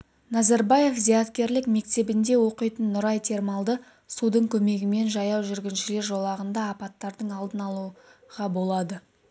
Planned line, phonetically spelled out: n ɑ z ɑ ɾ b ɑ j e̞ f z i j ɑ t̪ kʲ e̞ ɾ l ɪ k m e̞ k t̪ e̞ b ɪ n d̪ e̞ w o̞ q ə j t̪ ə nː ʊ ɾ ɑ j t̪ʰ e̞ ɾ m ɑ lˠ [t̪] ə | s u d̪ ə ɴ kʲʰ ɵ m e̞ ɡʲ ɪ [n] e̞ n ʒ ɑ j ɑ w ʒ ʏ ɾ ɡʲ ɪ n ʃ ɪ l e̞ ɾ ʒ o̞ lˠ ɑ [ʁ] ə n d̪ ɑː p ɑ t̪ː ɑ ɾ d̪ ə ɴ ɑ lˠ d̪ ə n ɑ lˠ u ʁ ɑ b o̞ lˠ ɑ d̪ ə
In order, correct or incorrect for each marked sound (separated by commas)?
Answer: incorrect, incorrect, correct